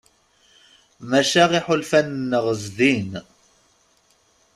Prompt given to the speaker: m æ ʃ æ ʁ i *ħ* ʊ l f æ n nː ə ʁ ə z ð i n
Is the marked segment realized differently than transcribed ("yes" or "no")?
no